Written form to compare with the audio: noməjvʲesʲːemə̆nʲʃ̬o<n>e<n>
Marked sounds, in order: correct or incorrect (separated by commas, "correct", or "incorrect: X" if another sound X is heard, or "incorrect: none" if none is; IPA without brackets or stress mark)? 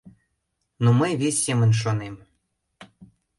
correct, incorrect: m